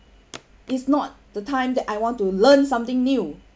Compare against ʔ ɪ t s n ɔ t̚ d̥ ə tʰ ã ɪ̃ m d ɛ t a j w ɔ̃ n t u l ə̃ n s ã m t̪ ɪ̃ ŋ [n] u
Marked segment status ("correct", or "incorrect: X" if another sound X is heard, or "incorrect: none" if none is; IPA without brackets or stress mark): correct